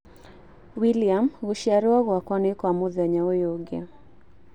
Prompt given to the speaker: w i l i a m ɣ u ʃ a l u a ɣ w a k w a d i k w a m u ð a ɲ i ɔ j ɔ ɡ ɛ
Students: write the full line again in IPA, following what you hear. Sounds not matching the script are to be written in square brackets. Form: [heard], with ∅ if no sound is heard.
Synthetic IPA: w i l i a m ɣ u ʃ a [ɾ] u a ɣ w a k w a [n] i k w a m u ð a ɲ [a] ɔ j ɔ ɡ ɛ